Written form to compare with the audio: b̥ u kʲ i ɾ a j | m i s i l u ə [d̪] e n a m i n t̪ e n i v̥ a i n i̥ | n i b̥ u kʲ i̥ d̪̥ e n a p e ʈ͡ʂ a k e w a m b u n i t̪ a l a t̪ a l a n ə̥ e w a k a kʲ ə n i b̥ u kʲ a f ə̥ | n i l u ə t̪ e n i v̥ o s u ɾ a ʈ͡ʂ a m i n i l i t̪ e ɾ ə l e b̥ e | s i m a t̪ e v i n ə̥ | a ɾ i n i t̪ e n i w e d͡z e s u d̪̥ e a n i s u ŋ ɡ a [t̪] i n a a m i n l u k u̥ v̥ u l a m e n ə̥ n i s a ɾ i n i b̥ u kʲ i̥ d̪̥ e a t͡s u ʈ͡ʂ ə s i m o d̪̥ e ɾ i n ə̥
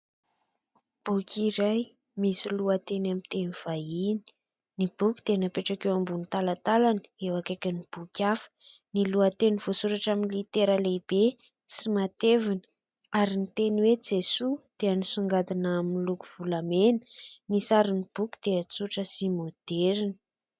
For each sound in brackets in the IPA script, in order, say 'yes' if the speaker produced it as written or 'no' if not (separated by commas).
no, no